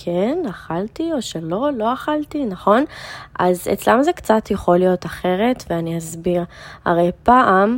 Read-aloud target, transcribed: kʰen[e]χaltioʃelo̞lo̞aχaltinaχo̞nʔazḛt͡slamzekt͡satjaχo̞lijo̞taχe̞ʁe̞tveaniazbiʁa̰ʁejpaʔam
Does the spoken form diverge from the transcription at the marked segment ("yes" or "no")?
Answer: yes